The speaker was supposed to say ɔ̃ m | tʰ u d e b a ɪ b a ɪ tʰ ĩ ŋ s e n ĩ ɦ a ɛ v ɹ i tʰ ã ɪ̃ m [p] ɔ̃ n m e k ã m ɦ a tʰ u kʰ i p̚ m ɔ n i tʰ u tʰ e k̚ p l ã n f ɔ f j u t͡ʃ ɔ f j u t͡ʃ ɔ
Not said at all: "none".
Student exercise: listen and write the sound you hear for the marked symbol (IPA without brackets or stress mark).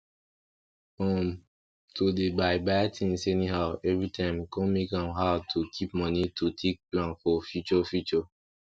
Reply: k